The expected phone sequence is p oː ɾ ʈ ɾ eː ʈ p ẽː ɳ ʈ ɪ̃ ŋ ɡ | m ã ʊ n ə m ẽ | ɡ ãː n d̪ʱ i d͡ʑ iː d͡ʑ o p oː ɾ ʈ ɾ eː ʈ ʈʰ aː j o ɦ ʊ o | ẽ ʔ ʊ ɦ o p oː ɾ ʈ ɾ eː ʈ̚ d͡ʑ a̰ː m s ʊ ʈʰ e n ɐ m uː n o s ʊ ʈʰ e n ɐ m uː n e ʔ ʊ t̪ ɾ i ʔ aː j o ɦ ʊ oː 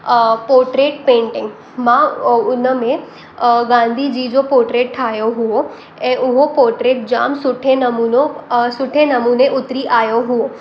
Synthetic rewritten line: p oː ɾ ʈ ɾ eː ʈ p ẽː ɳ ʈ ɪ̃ ŋ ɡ | m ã ʊ n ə m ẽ | ɡ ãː n d̪ʱ i d͡ʑ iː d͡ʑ o p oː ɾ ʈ ɾ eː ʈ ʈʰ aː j o ɦ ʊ o | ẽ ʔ ʊ ɦ o p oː ɾ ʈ ɾ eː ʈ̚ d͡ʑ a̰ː m s ʊ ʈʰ e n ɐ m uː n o s ʊ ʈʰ e n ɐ m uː n e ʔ ʊ t̪ ɾ i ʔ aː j o ɦ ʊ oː